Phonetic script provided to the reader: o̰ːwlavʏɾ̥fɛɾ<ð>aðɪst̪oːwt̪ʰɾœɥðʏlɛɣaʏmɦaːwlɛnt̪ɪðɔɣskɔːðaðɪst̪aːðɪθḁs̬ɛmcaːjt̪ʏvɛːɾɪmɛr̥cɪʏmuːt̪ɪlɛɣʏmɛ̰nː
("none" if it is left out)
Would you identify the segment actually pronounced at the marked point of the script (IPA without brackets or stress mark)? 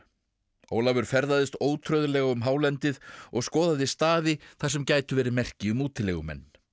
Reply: ð